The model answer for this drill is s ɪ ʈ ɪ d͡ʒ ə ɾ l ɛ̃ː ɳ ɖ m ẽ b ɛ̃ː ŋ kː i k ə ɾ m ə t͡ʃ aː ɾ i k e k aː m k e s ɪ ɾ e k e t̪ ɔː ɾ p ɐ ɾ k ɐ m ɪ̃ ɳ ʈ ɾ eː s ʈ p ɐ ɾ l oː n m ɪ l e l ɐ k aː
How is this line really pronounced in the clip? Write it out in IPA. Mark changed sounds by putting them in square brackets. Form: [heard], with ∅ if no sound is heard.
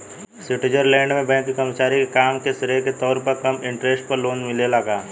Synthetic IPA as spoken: s ɪ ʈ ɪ d͡ʒ ə ɾ l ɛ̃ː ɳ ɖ m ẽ b ɛ̃ː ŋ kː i k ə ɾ m ə t͡ʃ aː ɾ i k e k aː m k e s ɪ ɾ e k e t̪ ɔː ɾ p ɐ ɾ k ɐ m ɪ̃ ɳ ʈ ɾ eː s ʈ p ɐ ɾ l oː n m ɪ l e l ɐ [ɡ] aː